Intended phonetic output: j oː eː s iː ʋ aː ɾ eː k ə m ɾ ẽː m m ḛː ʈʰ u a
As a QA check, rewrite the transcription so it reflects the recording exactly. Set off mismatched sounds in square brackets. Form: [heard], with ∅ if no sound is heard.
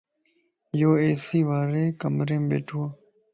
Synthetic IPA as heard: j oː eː s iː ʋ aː ɾ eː k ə m ɾ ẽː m [b] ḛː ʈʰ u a